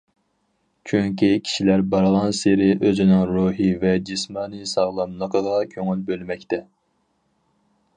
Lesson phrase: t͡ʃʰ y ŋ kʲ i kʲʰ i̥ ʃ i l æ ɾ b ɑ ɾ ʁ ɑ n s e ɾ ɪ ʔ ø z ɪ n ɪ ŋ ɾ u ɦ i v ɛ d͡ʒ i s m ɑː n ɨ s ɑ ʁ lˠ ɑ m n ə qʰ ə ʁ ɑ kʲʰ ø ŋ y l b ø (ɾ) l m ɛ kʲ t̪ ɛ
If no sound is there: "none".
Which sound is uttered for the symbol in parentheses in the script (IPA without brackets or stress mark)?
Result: none